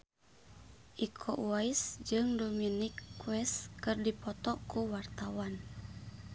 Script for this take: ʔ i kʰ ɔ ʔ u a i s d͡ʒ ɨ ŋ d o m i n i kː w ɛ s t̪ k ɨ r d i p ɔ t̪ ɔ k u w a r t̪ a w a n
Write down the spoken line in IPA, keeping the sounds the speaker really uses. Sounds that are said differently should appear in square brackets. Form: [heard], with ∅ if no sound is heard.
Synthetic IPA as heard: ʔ i kʰ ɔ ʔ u a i s d͡ʒ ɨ ŋ d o m i n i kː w ɛ s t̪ k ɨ r d i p ɔ t̪ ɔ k u w a r t̪ a w a n